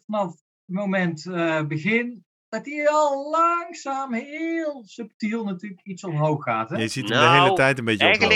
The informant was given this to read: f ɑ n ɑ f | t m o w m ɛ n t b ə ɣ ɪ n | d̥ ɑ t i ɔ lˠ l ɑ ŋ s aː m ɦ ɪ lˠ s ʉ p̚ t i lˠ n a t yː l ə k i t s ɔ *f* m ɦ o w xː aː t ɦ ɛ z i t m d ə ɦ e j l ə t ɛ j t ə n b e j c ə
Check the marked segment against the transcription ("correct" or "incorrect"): incorrect